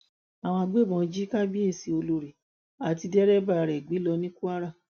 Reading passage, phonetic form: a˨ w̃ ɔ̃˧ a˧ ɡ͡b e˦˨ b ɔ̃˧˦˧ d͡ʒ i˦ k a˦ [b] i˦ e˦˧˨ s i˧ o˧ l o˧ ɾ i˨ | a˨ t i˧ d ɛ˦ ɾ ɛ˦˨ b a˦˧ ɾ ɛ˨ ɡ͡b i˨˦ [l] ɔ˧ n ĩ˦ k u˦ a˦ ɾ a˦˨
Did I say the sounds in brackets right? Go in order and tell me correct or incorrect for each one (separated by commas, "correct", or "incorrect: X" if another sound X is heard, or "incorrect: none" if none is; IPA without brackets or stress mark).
correct, correct